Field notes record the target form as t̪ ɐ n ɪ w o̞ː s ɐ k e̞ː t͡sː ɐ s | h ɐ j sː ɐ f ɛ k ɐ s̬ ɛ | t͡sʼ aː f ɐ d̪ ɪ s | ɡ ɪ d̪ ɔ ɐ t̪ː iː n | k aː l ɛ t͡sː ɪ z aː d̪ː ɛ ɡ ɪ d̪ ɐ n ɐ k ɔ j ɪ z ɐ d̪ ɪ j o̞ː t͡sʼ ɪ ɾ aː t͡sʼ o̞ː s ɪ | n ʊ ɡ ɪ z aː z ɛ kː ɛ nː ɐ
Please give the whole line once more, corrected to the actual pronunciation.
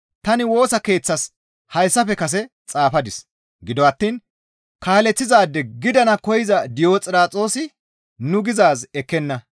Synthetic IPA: t̪ ɐ n ɪ w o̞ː s ɐ k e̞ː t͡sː ɐ s | h ɐ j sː ɐ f ɛ k ɐ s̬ ɛ | t͡sʼ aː f ɐ d̪ ɪ s | ɡ ɪ d̪ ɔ ɐ t̪ː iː n | k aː l ɛ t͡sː ɪ z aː d̪ː ɛ ɡ ɪ d̪ ɐ n ɐ k ɔ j ɪ z ɐ d̪ ɪ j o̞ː t͡sʼ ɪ ɾ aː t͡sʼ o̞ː s ɪ | n ʊ ɡ ɪ z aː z ɛ kː ɛ nː ɐ